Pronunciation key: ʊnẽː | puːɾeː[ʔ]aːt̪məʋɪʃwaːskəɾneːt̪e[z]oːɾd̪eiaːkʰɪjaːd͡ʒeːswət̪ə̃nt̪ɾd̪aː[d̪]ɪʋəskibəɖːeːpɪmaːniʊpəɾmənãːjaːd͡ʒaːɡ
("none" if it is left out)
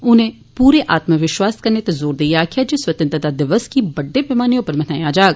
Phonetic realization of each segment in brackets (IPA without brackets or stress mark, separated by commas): ʔ, z, d̪